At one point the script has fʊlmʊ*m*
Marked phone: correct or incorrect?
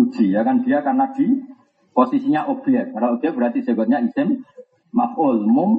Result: correct